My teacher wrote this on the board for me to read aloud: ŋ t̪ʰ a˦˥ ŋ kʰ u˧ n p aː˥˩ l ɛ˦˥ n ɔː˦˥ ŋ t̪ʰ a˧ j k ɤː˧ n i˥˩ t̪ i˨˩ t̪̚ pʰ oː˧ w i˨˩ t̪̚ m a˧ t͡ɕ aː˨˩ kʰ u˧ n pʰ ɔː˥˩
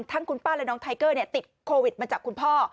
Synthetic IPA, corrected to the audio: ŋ t̪ʰ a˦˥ ŋ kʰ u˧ n p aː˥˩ l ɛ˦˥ n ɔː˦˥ ŋ t̪ʰ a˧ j k ɤː˥˩ n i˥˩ t̪ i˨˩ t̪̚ kʰ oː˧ w i˨˩ t̪̚ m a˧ t͡ɕ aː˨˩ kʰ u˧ n pʰ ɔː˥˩